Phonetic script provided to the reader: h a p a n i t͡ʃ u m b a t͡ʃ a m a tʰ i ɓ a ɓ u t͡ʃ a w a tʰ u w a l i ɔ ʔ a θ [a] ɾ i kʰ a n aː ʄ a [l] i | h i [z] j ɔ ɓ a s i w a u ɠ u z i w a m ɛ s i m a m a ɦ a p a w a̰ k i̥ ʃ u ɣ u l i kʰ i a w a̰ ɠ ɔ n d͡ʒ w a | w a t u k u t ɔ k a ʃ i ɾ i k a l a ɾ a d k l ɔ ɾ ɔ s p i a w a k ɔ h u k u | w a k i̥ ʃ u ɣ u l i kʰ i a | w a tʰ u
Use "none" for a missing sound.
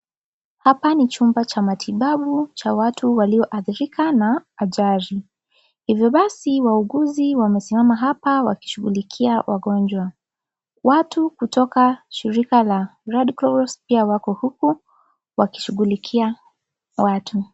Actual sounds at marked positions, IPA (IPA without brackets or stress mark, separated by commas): i, ɾ, v